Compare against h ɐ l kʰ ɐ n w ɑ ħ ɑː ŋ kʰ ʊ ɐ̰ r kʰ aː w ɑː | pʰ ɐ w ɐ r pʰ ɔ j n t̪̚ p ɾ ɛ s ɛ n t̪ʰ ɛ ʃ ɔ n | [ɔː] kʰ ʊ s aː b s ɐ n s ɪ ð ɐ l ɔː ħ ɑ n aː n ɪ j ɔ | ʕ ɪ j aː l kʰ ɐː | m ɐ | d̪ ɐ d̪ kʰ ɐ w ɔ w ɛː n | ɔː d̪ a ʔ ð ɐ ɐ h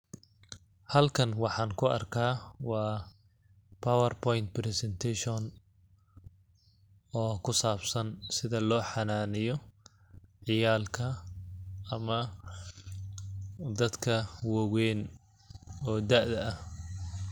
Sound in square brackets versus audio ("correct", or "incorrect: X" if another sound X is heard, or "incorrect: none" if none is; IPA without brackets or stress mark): correct